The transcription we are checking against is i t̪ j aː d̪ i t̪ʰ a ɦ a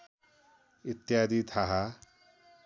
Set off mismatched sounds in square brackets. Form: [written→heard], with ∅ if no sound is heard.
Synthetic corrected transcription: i t̪ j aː d̪ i t̪ʰ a ɦ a